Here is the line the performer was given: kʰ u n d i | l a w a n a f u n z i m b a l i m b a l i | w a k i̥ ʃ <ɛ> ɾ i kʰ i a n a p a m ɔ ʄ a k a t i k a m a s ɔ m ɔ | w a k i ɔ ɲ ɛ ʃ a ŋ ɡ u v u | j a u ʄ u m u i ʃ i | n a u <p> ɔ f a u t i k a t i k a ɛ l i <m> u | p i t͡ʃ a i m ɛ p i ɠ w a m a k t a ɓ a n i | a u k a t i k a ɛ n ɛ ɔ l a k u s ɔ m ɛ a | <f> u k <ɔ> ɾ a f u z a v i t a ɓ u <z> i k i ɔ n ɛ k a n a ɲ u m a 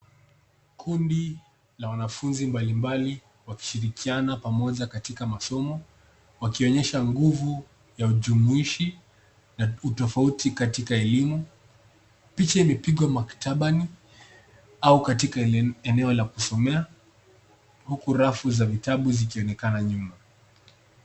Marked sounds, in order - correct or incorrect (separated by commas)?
incorrect, incorrect, correct, incorrect, incorrect, correct